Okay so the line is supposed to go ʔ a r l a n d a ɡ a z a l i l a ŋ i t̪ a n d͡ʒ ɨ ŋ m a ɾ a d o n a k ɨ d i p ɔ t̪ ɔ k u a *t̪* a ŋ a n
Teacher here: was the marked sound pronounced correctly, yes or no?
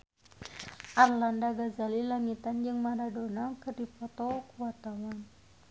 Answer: yes